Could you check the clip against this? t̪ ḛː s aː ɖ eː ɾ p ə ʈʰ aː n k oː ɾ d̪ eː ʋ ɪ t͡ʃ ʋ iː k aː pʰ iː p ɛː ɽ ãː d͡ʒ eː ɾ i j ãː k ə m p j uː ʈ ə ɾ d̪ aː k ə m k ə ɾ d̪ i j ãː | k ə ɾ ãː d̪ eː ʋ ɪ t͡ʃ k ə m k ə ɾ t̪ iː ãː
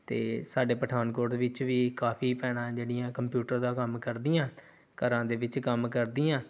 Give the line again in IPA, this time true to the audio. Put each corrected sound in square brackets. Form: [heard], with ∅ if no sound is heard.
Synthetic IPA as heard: t̪ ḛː s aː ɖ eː [∅] p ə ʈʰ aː n k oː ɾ d̪ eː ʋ ɪ t͡ʃ ʋ iː k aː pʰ iː p ɛː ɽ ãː d͡ʒ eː [ɽ] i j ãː k ə m p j uː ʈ ə ɾ d̪ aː k ə m k ə ɾ d̪ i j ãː | k ə ɾ ãː d̪ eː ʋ ɪ t͡ʃ k ə m k ə ɾ [d̪] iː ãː

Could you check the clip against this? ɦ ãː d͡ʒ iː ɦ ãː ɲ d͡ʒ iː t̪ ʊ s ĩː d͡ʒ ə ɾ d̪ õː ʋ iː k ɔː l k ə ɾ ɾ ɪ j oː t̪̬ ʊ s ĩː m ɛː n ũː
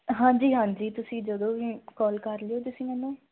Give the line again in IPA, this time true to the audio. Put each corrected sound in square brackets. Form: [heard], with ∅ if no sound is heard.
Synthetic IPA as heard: ɦ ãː d͡ʒ iː ɦ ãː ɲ d͡ʒ iː t̪ ʊ s ĩː d͡ʒ ə [∅] d̪ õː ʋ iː k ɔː l k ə ɾ [l] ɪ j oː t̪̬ ʊ s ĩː m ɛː n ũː

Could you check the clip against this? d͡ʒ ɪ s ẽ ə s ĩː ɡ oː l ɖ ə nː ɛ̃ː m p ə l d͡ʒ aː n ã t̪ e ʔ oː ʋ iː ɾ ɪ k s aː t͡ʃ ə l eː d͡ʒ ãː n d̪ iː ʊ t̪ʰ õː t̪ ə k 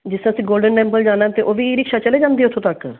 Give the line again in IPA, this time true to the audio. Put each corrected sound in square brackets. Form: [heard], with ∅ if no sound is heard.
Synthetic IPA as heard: d͡ʒ ɪ s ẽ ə s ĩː ɡ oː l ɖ ə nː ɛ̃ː m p ə l d͡ʒ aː n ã t̪ e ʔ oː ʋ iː ɾ ɪ k [ʃ] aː t͡ʃ ə l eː d͡ʒ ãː n d̪ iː ʊ t̪ʰ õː t̪ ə k

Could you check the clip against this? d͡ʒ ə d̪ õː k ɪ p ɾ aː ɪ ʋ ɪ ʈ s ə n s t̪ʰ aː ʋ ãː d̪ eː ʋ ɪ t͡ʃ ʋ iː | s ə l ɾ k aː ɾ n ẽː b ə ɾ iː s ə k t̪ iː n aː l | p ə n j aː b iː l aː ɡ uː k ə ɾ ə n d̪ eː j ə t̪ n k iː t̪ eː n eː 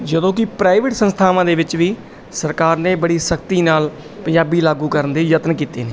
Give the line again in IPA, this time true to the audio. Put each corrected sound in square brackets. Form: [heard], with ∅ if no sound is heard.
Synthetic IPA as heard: d͡ʒ ə d̪ õː k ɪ p ɾ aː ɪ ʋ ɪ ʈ s ə n s t̪ʰ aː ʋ ãː d̪ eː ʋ ɪ t͡ʃ ʋ iː | s ə [∅] ɾ k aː ɾ n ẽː b ə [ɽ] iː s ə k t̪ iː n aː l | p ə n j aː b iː l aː ɡ uː k ə ɾ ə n d̪ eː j ə t̪ n k iː t̪ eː n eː

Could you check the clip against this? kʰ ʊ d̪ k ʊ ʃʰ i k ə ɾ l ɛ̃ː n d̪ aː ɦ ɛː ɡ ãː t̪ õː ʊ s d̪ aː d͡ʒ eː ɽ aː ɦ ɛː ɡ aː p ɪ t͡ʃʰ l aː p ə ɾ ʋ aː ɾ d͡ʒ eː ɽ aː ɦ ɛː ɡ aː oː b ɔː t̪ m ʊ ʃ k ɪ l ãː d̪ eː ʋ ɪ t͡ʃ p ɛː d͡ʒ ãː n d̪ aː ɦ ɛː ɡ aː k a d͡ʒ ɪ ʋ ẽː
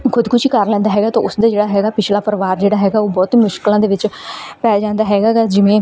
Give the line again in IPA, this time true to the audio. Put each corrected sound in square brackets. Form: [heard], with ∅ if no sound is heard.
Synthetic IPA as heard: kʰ ʊ d̪ k ʊ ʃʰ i k ə ɾ l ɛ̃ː n d̪ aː ɦ ɛː ɡ [aː] t̪ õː ʊ s d̪ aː d͡ʒ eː ɽ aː ɦ ɛː ɡ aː p ɪ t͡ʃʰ l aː p ə ɾ ʋ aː ɾ d͡ʒ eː ɽ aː ɦ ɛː ɡ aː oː b ɔː t̪ m ʊ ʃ k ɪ l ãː d̪ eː ʋ ɪ t͡ʃ p ɛː d͡ʒ ãː n d̪ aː ɦ ɛː ɡ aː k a d͡ʒ ɪ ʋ ẽː

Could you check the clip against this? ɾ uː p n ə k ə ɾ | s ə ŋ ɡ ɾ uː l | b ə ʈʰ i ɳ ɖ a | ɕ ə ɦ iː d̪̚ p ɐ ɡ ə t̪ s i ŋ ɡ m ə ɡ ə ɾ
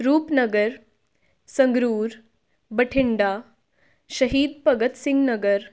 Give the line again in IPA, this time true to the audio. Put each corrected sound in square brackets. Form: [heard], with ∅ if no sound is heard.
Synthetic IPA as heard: ɾ uː p n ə [ɡ] ə ɾ | s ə ŋ ɡ ɾ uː [ɾ] | b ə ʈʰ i ɳ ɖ a | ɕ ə ɦ iː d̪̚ p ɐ ɡ ə t̪ s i ŋ ɡ [n] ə ɡ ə ɾ

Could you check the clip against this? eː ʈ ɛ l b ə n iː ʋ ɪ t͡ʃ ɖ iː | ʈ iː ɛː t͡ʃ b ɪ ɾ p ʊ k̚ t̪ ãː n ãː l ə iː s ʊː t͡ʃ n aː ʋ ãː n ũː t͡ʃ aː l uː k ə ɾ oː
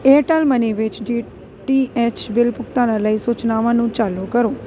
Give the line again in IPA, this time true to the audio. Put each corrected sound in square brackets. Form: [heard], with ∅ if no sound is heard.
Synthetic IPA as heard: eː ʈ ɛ l [m] ə n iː ʋ ɪ t͡ʃ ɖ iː | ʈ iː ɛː t͡ʃ b ɪ [l] p ʊ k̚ t̪ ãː n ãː l ə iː s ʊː t͡ʃ n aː ʋ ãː n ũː t͡ʃ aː l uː k ə ɾ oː

